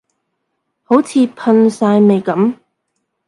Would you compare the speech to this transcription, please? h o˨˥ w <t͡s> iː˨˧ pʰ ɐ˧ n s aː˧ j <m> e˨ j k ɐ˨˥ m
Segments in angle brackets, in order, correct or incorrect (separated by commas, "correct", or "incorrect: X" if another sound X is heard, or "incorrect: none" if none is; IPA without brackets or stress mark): incorrect: t͡sʰ, correct